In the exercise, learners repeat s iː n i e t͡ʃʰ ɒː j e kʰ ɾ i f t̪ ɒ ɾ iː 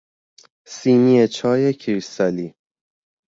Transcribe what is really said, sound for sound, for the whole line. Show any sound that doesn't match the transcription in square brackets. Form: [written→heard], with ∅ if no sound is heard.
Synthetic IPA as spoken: s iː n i e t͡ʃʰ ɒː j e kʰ ɾ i [f→s] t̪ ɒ [ɾ→l] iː